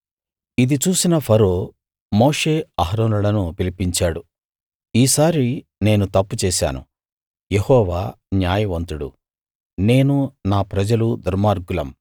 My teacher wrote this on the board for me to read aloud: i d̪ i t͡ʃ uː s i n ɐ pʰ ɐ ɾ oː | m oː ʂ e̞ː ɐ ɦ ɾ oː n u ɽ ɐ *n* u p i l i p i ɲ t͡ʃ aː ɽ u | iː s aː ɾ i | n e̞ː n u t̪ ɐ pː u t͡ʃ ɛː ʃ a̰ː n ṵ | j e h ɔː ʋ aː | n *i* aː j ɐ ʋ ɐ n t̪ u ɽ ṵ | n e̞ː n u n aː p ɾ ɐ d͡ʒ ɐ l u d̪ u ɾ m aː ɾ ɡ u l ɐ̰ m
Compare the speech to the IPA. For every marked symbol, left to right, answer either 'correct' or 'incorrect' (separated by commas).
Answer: correct, incorrect